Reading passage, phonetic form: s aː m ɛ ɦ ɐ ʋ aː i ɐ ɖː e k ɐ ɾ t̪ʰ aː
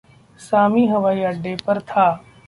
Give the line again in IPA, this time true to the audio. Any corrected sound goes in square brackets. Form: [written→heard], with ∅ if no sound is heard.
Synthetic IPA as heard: s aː m [ɛ→i] ɦ ɐ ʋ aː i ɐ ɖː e [k→p] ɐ ɾ t̪ʰ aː